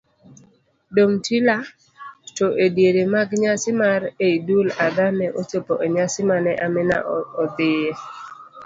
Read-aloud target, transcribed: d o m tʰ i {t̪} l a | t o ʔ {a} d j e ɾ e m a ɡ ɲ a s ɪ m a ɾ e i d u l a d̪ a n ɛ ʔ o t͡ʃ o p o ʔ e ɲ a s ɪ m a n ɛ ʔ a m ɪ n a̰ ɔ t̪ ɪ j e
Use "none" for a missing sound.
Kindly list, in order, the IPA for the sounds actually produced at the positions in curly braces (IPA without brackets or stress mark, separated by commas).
none, e